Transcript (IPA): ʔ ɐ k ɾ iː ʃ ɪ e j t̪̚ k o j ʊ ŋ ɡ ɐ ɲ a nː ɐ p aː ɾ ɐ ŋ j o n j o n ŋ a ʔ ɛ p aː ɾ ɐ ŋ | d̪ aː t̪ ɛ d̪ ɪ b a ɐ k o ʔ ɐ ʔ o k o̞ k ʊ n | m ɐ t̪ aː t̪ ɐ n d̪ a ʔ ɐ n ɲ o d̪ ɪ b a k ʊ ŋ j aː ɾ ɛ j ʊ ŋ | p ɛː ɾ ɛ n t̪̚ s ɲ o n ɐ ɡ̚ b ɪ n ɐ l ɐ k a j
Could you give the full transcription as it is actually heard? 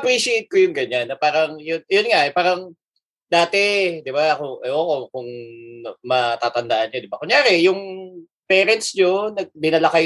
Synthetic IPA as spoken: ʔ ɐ p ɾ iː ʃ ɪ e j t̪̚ k o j ʊ ŋ ɡ ɐ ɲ a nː ɐ p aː ɾ ɐ ŋ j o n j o n ŋ a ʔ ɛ p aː ɾ ɐ ŋ | d̪ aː t̪ ɛ d̪ ɪ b a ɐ k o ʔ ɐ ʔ o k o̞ k ʊ ŋ | m ɐ t̪ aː t̪ ɐ n d̪ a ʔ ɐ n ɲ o d̪ ɪ b a k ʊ ŋ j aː ɾ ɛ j ʊ ŋ | p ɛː ɾ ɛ n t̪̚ s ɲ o n ɐ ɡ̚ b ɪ n ɐ l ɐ k a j